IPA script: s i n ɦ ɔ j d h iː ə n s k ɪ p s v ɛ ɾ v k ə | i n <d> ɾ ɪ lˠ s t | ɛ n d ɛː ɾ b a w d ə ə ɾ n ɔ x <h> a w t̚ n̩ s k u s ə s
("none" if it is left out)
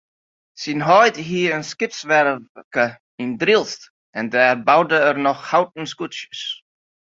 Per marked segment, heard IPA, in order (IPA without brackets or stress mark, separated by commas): d, h